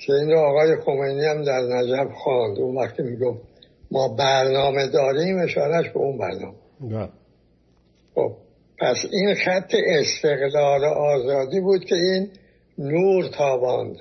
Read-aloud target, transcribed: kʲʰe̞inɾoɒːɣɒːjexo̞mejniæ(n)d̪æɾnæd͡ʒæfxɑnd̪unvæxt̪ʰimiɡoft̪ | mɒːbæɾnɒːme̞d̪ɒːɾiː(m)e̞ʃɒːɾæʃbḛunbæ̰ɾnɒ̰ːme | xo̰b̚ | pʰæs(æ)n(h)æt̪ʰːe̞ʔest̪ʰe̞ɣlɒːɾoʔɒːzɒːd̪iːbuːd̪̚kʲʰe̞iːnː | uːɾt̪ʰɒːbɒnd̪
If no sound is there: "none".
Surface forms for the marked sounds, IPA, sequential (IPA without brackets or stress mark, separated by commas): m, m, i, x